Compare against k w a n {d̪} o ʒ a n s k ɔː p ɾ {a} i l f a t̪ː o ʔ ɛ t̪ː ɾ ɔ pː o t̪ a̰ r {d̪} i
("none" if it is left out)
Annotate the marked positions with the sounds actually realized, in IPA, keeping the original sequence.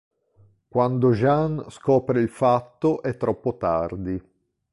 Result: d̪, e, d̪

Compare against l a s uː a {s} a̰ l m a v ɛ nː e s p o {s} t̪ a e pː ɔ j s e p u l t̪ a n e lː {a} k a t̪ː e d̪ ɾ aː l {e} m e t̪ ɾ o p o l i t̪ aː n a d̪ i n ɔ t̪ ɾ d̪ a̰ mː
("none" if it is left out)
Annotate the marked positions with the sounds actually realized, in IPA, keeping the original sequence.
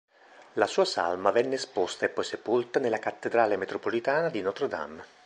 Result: s, s, a, e

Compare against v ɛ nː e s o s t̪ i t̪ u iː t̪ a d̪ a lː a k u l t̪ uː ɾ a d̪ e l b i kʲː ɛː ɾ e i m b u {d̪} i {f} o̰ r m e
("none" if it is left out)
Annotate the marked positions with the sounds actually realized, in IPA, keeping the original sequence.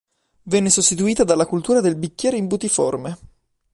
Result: t̪, f

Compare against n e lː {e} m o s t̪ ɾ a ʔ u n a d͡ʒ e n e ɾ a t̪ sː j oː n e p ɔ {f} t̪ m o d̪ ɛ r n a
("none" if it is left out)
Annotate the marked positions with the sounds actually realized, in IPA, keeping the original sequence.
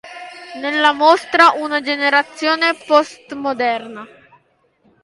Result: a, s

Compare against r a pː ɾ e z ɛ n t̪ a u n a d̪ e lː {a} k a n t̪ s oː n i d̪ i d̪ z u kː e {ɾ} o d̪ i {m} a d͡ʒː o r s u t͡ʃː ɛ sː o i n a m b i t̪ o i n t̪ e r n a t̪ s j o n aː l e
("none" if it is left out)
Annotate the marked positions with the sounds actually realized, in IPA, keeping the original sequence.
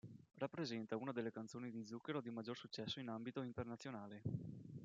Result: e, ɾ, m

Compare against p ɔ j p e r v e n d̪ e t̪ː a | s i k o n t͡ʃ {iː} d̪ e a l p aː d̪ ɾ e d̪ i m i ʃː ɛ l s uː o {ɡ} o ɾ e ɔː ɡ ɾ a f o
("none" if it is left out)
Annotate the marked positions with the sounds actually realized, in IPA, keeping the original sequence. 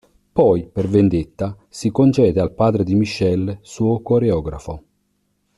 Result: ɛː, k

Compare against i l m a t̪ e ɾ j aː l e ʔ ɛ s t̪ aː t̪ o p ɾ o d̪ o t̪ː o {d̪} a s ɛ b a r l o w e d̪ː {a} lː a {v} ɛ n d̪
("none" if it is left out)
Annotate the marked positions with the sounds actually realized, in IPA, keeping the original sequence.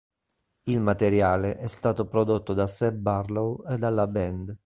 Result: d̪, a, b

